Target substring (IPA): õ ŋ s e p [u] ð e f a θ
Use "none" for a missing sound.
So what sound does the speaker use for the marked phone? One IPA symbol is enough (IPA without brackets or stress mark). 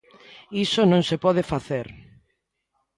ɔ